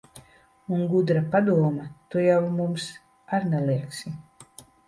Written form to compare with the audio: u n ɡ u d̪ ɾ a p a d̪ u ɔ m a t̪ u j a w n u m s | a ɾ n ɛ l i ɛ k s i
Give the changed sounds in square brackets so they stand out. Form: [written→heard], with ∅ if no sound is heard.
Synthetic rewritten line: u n ɡ u d̪ ɾ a p a d̪ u ɔ m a t̪ u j a w [n→m] u m s | a ɾ n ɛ l i ɛ k s i